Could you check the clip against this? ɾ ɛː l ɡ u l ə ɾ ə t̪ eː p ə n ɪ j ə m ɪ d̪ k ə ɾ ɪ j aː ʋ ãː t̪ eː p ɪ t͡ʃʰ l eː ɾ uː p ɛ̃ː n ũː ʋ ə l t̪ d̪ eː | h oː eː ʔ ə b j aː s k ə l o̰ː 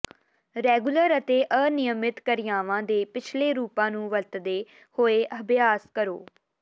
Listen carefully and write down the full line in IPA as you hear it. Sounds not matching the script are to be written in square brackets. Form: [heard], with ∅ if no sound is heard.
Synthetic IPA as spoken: ɾ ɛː [∅] ɡ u l ə ɾ ə t̪ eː [ʔ] ə n ɪ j ə m ɪ [t̪] k ə ɾ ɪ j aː ʋ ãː [d̪] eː p ɪ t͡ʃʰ l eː ɾ uː p [ãː] n ũː ʋ ə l t̪ d̪ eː | h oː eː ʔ ə b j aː s k ə [ɾ] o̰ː